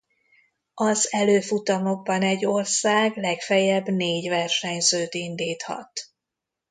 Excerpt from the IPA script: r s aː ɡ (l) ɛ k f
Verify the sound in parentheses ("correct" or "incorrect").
correct